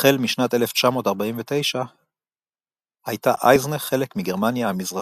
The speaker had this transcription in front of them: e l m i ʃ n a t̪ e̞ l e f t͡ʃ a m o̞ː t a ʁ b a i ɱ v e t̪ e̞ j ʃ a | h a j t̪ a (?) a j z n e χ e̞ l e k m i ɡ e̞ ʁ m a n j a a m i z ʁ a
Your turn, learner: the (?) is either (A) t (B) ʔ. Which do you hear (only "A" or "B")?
B